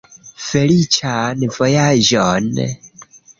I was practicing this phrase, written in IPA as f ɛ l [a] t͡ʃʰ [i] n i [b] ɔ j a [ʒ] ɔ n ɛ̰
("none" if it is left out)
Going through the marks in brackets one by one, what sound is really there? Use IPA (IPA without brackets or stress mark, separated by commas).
i, a, v, ʒ